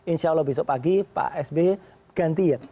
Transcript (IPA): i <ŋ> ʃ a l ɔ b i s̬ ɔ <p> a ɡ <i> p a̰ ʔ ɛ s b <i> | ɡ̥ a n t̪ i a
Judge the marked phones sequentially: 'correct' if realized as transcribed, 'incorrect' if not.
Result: incorrect: n, correct, correct, incorrect: e

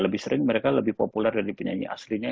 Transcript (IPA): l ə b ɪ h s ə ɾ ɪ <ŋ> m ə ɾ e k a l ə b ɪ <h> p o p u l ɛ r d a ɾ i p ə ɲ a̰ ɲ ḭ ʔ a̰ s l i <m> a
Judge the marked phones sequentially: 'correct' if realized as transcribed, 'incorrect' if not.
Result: correct, correct, incorrect: ɲ

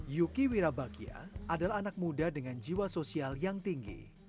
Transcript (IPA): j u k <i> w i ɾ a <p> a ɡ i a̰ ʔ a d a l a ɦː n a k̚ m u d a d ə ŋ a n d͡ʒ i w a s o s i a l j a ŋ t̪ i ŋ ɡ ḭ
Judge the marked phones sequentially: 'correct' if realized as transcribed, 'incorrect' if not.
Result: correct, incorrect: b

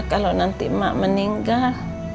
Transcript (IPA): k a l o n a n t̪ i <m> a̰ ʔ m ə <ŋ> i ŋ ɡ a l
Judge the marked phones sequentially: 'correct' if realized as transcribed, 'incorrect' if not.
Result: correct, incorrect: n

